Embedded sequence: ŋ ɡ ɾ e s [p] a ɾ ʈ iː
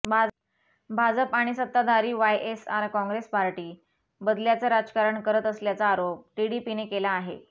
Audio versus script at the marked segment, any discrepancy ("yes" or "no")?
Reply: no